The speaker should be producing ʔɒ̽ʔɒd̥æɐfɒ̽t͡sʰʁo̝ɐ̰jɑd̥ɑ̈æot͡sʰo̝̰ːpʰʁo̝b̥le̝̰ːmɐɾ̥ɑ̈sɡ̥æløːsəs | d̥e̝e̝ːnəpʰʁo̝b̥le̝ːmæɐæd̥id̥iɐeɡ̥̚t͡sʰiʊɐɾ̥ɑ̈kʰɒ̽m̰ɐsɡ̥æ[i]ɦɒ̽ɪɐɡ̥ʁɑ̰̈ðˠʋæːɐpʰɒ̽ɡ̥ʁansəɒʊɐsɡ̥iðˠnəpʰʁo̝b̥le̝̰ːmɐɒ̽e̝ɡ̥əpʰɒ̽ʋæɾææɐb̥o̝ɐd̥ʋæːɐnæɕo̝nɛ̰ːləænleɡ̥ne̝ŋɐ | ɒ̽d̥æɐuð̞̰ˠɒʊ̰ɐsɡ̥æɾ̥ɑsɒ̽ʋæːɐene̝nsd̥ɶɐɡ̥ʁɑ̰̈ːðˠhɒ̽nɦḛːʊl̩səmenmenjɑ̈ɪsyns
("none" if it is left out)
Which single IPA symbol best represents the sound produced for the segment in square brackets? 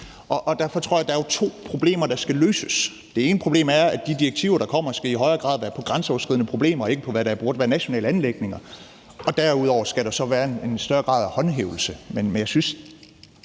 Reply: i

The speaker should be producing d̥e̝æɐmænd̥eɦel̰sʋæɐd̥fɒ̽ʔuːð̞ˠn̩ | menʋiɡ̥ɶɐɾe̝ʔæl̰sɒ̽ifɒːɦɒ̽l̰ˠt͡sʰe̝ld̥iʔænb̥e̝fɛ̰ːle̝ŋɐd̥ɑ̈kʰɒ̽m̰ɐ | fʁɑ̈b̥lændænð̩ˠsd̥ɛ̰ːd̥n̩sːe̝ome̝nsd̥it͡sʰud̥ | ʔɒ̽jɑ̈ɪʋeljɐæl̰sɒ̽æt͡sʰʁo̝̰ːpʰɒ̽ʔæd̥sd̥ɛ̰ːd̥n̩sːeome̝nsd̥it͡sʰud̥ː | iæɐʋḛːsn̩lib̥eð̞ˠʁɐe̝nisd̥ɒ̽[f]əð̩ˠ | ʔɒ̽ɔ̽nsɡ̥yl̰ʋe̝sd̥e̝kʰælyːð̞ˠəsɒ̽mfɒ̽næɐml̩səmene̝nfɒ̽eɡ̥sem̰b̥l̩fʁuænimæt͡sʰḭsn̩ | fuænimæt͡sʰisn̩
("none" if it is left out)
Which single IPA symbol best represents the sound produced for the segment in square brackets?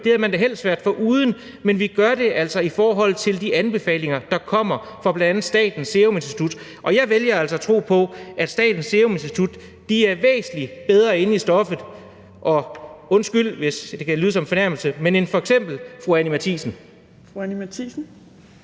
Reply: f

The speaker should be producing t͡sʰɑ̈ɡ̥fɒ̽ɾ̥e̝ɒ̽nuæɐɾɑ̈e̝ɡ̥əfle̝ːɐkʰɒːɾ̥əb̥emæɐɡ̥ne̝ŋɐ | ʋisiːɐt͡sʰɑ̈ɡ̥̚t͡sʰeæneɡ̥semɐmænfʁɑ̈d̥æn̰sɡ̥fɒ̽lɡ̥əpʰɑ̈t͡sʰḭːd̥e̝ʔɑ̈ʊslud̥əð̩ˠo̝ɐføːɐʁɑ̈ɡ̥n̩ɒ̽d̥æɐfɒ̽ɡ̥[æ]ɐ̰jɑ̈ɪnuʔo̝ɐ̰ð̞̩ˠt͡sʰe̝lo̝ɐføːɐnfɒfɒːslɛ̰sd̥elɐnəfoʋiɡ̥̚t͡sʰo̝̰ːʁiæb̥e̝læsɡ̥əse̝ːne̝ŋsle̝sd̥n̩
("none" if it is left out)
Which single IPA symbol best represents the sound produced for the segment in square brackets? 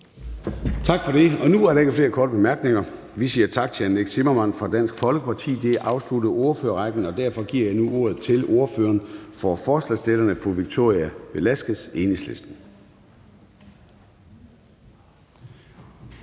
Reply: i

